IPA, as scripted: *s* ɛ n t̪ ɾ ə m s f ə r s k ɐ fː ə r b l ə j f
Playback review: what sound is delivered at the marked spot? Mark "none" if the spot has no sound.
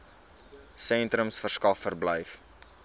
s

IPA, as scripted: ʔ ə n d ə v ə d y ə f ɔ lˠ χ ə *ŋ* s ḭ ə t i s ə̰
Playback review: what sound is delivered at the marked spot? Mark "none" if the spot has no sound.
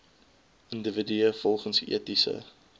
n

